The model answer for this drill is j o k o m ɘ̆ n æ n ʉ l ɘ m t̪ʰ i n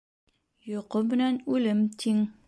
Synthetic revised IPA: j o q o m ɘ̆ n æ n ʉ l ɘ m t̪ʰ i ŋ